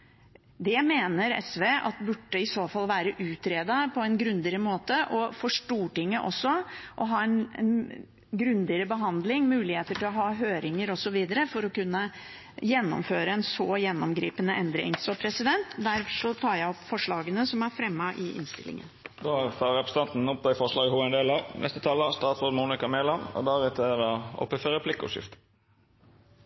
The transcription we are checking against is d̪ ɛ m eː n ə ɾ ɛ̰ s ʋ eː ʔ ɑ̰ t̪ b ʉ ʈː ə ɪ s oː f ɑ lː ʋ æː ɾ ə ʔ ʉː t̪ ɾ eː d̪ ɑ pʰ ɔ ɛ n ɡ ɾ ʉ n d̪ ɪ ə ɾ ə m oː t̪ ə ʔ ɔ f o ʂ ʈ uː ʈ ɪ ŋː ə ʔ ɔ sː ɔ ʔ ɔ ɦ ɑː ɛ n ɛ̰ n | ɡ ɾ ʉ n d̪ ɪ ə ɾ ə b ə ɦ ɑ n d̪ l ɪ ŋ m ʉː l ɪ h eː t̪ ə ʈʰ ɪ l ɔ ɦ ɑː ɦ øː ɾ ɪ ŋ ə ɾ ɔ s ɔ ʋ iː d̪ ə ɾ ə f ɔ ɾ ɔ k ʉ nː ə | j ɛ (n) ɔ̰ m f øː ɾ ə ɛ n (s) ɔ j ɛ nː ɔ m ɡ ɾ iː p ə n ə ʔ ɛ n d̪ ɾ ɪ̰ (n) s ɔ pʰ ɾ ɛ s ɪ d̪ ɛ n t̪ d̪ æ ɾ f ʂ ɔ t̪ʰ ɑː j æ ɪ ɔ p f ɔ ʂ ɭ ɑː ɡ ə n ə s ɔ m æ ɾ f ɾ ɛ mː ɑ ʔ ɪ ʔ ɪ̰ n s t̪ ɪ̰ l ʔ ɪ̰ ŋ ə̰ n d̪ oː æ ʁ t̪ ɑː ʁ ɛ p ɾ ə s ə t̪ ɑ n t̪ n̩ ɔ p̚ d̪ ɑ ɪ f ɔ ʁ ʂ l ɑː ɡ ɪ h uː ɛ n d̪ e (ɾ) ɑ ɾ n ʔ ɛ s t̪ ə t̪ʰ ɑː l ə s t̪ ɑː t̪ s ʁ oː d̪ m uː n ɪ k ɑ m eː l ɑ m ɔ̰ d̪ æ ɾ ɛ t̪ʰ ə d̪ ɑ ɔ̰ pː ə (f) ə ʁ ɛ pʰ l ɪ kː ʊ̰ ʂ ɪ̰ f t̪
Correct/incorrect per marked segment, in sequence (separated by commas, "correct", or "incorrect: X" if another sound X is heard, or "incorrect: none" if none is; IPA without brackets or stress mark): incorrect: nː, correct, incorrect: ŋ, incorrect: l, correct